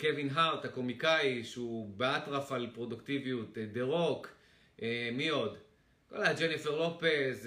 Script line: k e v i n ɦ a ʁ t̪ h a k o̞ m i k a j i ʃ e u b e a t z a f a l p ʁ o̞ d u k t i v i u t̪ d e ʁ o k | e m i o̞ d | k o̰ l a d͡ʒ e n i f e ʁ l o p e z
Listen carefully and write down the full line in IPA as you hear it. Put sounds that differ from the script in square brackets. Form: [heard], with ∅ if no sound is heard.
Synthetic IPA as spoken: k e v i n ɦ a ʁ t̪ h a k o̞ m i k a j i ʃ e u b e a t [ʁ] a f a l p ʁ o̞ d u k t i v i u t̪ d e ʁ o k | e m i o̞ d | k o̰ l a d͡ʒ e n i f e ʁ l o p e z